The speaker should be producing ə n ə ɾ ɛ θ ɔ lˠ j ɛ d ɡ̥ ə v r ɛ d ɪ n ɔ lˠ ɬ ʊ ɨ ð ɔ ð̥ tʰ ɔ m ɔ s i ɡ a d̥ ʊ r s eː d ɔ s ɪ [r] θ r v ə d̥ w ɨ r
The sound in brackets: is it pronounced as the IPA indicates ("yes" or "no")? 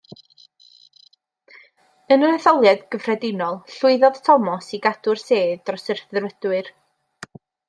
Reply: yes